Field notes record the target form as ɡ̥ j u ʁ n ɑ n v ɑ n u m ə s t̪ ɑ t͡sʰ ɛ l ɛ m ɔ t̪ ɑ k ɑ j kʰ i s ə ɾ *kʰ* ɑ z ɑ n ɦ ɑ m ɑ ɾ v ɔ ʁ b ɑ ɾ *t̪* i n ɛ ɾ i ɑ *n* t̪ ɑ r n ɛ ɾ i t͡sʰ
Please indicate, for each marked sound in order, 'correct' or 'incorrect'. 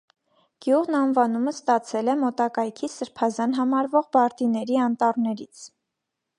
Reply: incorrect: pʰ, correct, correct

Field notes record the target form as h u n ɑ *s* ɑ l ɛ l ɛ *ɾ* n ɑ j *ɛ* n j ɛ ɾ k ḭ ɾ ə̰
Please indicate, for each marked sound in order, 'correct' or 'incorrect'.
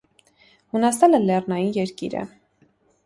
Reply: correct, incorrect: r, incorrect: i

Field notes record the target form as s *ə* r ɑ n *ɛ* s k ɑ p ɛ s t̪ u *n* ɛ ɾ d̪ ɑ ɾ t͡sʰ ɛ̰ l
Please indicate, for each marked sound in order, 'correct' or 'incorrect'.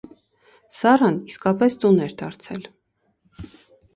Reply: incorrect: ɑ, incorrect: i, correct

